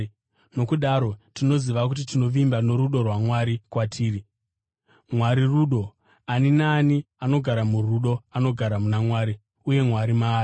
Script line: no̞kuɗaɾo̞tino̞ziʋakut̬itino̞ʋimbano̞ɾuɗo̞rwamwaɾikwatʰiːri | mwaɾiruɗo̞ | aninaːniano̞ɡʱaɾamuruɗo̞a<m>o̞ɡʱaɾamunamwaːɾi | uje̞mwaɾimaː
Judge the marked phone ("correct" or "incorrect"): incorrect